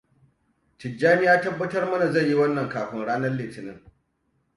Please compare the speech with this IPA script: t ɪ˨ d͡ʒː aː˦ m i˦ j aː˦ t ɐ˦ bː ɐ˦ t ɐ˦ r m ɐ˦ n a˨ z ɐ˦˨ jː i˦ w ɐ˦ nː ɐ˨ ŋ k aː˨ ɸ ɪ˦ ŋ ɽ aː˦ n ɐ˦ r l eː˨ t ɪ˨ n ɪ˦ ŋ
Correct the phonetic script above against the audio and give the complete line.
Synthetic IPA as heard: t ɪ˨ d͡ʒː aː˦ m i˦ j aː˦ t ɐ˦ bː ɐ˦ t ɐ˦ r m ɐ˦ n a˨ z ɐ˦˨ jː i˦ w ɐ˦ nː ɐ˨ ŋ k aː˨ ɸ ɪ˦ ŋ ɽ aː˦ n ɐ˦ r l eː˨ t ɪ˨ n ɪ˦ ŋ